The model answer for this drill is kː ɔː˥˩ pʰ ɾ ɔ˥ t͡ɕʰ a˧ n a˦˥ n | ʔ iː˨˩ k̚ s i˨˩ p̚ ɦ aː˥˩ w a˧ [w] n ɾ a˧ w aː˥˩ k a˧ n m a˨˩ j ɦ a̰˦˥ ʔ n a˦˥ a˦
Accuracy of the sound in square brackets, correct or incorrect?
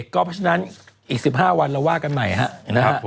incorrect